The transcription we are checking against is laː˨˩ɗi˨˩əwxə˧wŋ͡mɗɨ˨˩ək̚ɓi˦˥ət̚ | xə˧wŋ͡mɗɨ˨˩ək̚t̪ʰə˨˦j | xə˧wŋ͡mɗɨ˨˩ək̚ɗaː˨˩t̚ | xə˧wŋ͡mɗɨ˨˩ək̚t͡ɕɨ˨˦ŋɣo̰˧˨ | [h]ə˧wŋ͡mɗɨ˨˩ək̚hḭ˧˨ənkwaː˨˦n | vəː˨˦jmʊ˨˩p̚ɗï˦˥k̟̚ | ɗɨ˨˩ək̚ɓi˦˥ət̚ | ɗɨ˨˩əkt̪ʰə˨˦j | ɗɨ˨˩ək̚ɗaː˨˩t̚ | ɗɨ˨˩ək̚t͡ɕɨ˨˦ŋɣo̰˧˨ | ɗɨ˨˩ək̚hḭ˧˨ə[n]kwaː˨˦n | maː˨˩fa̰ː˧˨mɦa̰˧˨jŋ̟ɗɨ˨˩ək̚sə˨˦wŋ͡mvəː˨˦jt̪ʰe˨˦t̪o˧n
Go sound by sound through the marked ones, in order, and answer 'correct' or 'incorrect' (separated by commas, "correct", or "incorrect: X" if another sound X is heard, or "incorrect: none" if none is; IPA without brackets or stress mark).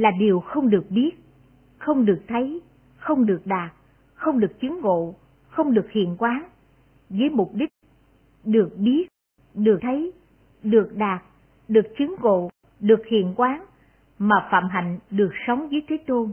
incorrect: x, correct